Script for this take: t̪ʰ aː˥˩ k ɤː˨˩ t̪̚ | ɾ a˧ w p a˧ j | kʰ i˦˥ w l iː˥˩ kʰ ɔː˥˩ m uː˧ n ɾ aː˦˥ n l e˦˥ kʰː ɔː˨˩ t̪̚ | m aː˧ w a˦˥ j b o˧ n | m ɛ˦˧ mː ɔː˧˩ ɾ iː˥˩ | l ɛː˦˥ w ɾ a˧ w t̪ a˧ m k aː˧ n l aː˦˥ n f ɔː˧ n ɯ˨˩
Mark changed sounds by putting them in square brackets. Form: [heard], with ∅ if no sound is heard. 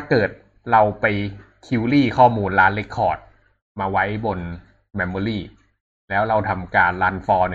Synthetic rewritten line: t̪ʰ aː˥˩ k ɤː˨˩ t̪̚ | ɾ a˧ w p a˧ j | kʰ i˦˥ w l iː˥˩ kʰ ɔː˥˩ m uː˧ n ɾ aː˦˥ n l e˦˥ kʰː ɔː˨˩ t̪̚ | m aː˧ w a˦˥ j b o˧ n | m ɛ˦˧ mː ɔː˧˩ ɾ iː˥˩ | l ɛː˦˥ w ɾ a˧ w [t̪ʰ] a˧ m k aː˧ n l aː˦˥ n f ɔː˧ n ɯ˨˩